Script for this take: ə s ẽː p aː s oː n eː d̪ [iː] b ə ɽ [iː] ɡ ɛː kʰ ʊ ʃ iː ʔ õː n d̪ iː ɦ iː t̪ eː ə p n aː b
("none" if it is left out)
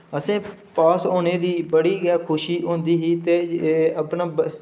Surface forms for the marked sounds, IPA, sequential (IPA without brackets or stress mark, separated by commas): iː, iː